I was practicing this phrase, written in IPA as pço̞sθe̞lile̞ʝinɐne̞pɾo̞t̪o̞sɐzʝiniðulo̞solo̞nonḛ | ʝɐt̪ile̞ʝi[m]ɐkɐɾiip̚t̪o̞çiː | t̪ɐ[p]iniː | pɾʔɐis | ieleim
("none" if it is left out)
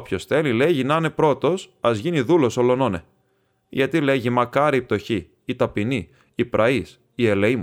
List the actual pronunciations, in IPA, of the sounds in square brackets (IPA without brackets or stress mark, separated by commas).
m, p